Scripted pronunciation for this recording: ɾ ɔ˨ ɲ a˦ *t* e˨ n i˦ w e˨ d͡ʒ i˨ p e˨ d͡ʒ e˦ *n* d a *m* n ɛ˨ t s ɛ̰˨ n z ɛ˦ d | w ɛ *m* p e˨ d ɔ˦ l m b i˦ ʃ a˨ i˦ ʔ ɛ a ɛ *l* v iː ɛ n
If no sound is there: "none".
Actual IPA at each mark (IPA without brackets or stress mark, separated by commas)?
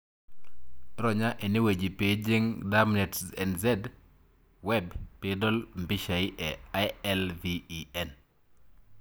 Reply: ʔ, ŋ, m, b, l